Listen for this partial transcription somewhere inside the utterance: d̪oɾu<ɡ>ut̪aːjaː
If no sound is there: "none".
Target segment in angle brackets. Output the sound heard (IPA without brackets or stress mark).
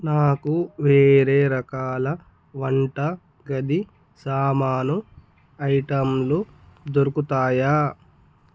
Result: k